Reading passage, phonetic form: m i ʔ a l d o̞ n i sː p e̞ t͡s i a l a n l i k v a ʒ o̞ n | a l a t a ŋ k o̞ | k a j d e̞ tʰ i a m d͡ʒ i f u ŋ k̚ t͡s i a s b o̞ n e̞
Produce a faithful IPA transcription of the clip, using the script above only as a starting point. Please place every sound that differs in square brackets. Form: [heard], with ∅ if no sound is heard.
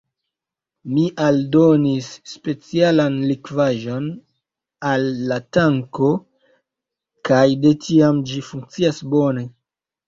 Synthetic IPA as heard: m i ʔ a l d o̞ n i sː p e̞ t͡s i a l a n l i k v a ʒ o̞ n | a [lː] a t a ŋ k o̞ | k a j d e̞ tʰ i a m d͡ʒ i f u ŋ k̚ t͡s i a s b o̞ n e̞